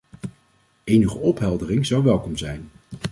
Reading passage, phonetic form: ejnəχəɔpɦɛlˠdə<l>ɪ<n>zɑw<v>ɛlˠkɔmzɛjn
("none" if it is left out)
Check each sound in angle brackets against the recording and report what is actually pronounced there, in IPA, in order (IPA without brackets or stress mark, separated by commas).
r, ŋ, ʋ